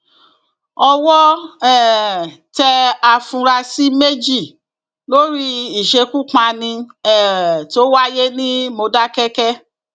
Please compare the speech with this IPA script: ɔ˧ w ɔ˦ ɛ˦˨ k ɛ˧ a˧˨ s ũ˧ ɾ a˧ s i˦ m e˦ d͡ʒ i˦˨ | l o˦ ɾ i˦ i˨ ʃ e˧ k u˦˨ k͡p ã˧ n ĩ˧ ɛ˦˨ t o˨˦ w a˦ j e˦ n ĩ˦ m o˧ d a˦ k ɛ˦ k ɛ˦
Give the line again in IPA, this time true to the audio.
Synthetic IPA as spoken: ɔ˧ w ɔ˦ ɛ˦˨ t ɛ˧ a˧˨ f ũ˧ ɾ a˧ s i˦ m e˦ d͡ʒ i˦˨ | l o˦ ɾ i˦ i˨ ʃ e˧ k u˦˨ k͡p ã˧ n ĩ˧ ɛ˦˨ t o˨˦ w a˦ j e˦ n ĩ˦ m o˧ d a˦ k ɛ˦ k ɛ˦